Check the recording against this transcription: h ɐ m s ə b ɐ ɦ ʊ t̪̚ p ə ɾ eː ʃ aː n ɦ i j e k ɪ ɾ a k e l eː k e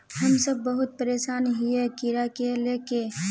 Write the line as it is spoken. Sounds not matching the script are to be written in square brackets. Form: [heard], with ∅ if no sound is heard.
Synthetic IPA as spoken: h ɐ m s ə [bː] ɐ ɦ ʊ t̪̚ p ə ɾ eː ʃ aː n ɦ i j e k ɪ ɾ a k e l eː k e